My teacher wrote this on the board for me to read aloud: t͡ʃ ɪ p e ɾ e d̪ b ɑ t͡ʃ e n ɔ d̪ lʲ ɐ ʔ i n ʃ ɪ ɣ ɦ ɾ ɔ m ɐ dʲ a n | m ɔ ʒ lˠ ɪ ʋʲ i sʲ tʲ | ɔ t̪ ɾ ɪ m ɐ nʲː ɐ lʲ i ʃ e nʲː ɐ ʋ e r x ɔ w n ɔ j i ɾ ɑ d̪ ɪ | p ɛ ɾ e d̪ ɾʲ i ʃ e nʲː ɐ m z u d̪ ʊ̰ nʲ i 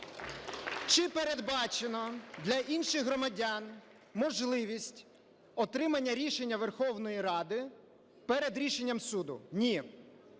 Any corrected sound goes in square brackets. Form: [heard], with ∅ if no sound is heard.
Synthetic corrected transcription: t͡ʃ ɪ p e ɾ e d̪ b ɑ t͡ʃ e n ɔ d̪ lʲ ɐ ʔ i n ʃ ɪ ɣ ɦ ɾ ɔ m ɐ dʲ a n | m ɔ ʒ lˠ ɪ ʋʲ i sʲ tʲ | ɔ t̪ ɾ ɪ m ɐ nʲː ɐ [ɾʲ] i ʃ e nʲː ɐ ʋ e r x ɔ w n ɔ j i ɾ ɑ d̪ ɪ | p ɛ ɾ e d̪ ɾʲ i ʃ e nʲː ɐ m [s] u d̪ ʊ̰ nʲ i

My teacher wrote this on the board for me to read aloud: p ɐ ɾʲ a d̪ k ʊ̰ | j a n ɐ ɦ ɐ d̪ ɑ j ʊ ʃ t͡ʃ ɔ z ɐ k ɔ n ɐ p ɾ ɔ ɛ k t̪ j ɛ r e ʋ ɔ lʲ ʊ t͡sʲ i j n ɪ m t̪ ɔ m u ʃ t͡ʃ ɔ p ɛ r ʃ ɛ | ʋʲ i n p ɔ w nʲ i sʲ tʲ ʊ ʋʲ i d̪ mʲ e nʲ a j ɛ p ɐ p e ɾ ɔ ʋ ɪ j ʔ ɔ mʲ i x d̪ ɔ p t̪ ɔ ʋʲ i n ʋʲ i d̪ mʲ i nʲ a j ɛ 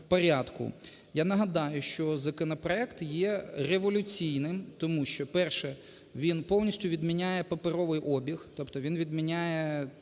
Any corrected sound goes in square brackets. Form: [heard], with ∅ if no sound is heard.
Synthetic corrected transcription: p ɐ ɾʲ a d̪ k ʊ̰ | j a n ɐ ɦ ɐ d̪ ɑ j ʊ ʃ t͡ʃ ɔ z ɐ k ɔ n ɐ p ɾ ɔ ɛ k t̪ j ɛ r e ʋ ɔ lʲ ʊ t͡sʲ i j n ɪ m t̪ ɔ m u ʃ t͡ʃ ɔ p ɛ r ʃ ɛ | ʋʲ i n p ɔ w nʲ i sʲ tʲ ʊ ʋʲ i d̪ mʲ [i] nʲ a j ɛ p ɐ p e ɾ ɔ ʋ ɪ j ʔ ɔ [bʲ] i x [t̪] ɔ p t̪ ɔ ʋʲ i n ʋʲ i d̪ mʲ i nʲ a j ɛ

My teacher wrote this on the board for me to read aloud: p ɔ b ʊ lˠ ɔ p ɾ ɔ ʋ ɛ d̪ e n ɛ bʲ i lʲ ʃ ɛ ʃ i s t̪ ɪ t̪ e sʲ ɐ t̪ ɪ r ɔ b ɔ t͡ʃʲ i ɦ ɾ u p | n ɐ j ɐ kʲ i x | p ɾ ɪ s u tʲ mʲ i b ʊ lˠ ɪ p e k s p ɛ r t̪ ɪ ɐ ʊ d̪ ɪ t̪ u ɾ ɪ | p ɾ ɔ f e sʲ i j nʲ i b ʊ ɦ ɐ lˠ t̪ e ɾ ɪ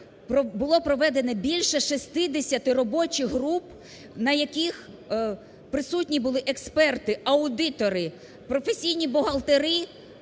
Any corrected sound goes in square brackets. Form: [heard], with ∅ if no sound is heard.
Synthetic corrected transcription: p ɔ b ʊ lˠ ɔ p ɾ ɔ ʋ ɛ d̪ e n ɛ bʲ i lʲ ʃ ɛ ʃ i s t̪ ɪ [d̪] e sʲ ɐ t̪ ɪ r ɔ b ɔ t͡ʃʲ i ɦ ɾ u p | n ɐ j ɐ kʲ i x | p ɾ ɪ s u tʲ [nʲ] i b ʊ lˠ ɪ [ʔ] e k s p ɛ r t̪ ɪ ɐ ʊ d̪ ɪ t̪ [ɔ] ɾ ɪ | p ɾ ɔ f e sʲ i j nʲ i b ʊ ɦ ɐ lˠ t̪ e ɾ ɪ

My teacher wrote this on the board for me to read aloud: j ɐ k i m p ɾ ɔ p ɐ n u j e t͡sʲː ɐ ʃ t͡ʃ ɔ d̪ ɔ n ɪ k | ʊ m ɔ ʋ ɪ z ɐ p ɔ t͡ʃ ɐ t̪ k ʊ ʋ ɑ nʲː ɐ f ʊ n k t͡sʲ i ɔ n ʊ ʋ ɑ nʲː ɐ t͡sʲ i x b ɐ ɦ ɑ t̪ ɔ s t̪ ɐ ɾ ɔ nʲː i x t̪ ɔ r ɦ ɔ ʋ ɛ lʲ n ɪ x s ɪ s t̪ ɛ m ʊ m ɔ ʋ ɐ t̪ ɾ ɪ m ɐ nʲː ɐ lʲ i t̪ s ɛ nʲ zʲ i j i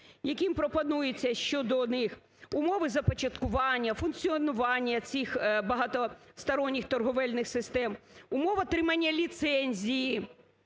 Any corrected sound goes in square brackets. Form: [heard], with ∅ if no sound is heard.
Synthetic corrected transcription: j ɐ k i m p ɾ ɔ p ɐ n u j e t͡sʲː ɐ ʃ t͡ʃ ɔ d̪ ɔ n ɪ [x] | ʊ m ɔ ʋ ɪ z ɐ p ɔ t͡ʃ ɐ t̪ k ʊ ʋ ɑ nʲː ɐ f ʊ n k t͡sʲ i ɔ n ʊ ʋ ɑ nʲː ɐ t͡sʲ i x b ɐ ɦ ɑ t̪ ɔ s t̪ ɐ ɾ ɔ nʲː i x t̪ ɔ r ɦ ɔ ʋ ɛ lʲ n ɪ x s ɪ s t̪ ɛ m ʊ m ɔ ʋ ɐ t̪ ɾ ɪ m ɐ nʲː ɐ lʲ i t̪ s ɛ nʲ zʲ i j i

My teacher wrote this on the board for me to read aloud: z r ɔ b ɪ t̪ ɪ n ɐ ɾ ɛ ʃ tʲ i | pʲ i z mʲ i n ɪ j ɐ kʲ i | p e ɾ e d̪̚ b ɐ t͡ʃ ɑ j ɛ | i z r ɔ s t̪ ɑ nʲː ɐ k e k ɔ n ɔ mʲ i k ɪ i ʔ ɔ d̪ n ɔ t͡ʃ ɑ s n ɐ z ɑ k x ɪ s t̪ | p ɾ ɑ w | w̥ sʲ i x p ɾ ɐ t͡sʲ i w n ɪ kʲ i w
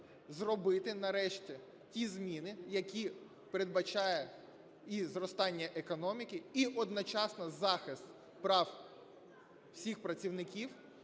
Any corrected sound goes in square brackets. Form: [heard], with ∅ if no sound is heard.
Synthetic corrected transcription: z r ɔ b ɪ t̪ ɪ n ɐ ɾ ɛ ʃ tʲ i | [tʲ] i z mʲ i n ɪ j ɐ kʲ i | p e ɾ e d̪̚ b ɐ t͡ʃ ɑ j ɛ | i z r ɔ s t̪ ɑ nʲː ɐ [ʔ] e k ɔ n ɔ mʲ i k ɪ i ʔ ɔ d̪ n ɔ t͡ʃ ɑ s n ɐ z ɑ [∅] x ɪ s t̪ | p ɾ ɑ w | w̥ sʲ i x p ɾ ɐ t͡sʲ i w n ɪ kʲ i w

